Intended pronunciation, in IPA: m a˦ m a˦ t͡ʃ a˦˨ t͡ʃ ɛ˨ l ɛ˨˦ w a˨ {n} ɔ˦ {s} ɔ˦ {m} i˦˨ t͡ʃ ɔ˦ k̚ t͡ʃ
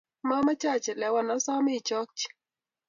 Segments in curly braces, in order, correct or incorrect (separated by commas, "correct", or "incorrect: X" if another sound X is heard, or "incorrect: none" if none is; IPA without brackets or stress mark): correct, correct, correct